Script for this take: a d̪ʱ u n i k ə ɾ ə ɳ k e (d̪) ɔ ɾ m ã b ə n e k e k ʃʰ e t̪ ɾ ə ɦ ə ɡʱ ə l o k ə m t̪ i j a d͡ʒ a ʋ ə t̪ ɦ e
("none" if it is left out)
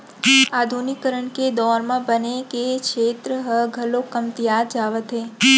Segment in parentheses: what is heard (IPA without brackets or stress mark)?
d̪